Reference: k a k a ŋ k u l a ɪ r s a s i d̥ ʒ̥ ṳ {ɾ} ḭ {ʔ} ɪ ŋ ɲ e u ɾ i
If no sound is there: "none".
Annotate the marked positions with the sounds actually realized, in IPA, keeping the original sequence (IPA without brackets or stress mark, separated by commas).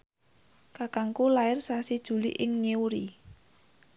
l, ʔ